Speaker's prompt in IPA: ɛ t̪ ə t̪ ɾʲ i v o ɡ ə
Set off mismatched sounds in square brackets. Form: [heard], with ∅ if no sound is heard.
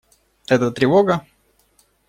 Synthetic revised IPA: ɛ t̪ ə t̪ ɾʲ [ɪ] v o ɡ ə